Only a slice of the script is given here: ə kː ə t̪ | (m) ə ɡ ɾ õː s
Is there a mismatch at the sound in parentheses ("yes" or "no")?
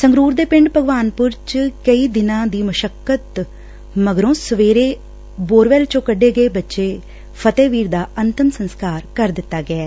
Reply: no